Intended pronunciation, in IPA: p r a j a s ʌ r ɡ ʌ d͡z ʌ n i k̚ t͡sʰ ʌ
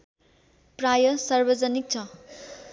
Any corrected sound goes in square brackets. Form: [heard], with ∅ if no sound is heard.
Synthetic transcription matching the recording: p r a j [ʌ] s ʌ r [b] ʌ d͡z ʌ n i k̚ t͡sʰ ʌ